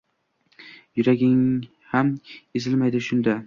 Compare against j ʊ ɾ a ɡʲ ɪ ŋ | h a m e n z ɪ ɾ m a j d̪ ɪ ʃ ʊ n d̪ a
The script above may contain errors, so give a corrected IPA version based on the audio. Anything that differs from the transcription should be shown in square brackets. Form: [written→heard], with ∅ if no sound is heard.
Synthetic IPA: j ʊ ɾ a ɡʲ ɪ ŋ | h a m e [n→∅] z ɪ [ɾ→l] m a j d̪ ɪ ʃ ʊ n d̪ a